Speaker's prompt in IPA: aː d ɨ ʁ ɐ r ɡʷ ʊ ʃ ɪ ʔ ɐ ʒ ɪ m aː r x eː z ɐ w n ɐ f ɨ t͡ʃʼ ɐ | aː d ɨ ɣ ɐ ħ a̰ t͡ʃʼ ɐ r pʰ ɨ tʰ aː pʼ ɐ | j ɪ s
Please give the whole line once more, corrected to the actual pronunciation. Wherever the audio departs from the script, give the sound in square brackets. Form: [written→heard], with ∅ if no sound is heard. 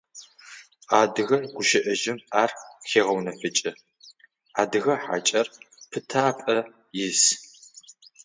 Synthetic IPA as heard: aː d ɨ [ʁ→ɣ] ɐ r ɡʷ ʊ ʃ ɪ ʔ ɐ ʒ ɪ m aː r x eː [z→ʁ] ɐ w n ɐ f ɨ t͡ʃʼ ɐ | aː d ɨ ɣ ɐ ħ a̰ t͡ʃʼ ɐ r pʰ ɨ tʰ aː pʼ ɐ | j ɪ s